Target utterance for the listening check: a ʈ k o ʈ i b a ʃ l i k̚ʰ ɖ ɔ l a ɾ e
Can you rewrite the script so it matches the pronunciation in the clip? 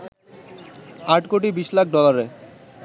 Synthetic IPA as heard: a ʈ k o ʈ i b i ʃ l a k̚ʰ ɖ ɔ l a ɾ e